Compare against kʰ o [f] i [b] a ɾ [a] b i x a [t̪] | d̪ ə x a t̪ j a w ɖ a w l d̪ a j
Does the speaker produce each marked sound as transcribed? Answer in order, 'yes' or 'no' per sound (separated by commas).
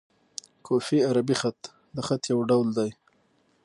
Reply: yes, no, yes, yes